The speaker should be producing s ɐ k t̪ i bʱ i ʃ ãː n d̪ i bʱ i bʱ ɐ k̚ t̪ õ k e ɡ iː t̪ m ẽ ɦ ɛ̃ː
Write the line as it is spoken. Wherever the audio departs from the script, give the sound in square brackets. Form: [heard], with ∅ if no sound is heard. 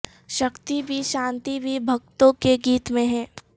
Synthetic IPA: [ʃ] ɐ k t̪ i bʱ i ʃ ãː n [t̪] i bʱ i bʱ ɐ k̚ t̪ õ k e ɡ iː t̪ m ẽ ɦ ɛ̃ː